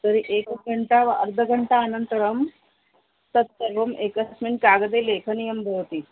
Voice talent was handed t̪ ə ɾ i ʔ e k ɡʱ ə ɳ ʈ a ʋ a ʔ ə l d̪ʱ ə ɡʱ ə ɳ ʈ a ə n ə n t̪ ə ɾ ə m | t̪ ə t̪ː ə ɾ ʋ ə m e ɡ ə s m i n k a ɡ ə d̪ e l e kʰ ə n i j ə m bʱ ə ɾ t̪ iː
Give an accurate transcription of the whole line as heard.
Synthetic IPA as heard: t̪ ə ɾ i ʔ e k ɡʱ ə ɳ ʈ a ʋ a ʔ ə ɾ d̪ʱ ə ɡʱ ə ɳ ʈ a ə n ə n t̪ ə ɾ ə m | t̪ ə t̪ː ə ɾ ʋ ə m e k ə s m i n k a ɡ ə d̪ e l e kʰ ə n i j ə m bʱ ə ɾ t̪ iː